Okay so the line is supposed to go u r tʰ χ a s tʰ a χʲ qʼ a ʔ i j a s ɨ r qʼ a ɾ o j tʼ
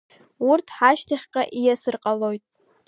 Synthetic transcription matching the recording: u r tʰ ħ a ʃ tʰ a χʲ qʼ a ʔ i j a s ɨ r qʼ a l o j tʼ